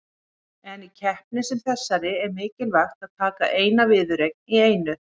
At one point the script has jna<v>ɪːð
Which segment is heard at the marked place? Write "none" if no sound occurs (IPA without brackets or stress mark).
v